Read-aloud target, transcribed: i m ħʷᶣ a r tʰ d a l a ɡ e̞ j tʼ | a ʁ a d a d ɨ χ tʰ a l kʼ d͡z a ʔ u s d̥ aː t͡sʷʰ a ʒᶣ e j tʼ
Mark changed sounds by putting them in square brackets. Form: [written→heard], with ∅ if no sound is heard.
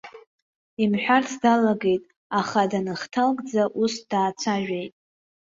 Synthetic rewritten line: i m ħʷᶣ a r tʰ d a l a ɡ e̞ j tʼ | a [ʁ→χ] a d a [d→n] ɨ χ tʰ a l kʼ d͡z a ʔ u s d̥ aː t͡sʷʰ a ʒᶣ e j tʼ